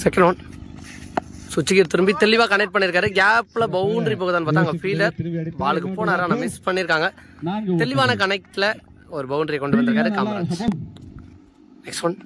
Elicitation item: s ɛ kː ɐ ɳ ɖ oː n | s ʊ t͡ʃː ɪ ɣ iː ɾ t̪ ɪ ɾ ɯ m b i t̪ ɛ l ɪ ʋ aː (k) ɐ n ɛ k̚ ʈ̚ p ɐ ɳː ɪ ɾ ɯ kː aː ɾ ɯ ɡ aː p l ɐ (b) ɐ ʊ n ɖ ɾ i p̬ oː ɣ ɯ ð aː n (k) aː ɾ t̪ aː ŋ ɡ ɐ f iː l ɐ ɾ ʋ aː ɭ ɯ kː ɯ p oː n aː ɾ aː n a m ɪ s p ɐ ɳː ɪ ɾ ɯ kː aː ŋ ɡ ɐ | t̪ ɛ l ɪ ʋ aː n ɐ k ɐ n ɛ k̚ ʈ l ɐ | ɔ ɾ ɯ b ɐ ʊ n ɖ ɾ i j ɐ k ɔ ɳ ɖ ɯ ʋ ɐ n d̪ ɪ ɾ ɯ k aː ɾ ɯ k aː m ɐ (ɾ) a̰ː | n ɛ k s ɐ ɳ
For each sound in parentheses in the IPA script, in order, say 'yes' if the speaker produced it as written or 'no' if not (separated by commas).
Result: yes, yes, no, yes